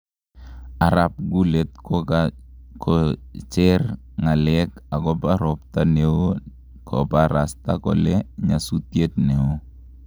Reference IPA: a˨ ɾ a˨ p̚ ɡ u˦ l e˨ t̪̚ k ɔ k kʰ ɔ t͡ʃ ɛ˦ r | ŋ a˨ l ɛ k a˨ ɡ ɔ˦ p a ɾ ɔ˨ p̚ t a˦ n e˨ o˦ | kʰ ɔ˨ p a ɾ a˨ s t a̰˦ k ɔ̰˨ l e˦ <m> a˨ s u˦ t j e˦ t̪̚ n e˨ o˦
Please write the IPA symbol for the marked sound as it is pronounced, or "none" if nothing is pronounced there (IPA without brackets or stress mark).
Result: ɲ